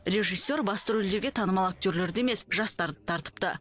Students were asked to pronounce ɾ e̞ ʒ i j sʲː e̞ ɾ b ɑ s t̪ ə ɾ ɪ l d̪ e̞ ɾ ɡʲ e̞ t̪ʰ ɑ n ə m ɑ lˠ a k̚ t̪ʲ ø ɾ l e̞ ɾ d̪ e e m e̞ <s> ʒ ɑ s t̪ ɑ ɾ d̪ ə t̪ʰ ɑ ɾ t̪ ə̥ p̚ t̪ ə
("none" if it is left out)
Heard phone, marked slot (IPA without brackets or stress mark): s